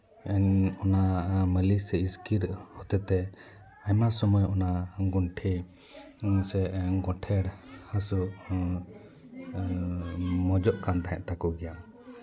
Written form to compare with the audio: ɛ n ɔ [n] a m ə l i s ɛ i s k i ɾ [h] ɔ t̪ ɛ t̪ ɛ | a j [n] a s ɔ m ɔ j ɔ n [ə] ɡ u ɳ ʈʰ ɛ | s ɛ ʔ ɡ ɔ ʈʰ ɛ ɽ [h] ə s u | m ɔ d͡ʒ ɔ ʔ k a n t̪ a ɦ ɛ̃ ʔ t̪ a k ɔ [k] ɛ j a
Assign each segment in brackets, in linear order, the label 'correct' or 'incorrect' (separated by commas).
correct, correct, incorrect, incorrect, correct, incorrect